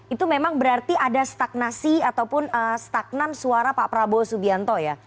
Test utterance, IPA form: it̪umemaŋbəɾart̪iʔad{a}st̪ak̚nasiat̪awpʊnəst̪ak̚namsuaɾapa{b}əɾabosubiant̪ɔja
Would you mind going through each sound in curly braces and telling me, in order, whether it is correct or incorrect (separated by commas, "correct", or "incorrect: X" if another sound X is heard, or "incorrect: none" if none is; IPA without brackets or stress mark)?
correct, incorrect: p